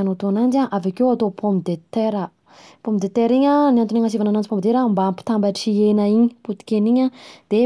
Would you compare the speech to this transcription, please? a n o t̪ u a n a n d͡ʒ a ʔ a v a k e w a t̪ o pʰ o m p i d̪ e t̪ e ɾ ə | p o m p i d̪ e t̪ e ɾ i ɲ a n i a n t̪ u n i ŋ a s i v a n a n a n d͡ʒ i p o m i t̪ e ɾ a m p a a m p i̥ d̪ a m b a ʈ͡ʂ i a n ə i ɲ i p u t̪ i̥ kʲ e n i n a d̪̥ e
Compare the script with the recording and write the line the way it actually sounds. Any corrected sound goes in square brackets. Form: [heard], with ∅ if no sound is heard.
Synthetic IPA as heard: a n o t̪ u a n a n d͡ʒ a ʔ a v a k e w a t̪ o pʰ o m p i d̪ e t̪ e ɾ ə | p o m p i d̪ e t̪ e ɾ i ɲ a n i a n t̪ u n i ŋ a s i v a n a n a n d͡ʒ i p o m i [d̪] e ɾ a m [b] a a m p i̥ [t̪] a m b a ʈ͡ʂ i [e] n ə i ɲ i p u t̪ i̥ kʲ e n i [ɲ] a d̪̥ e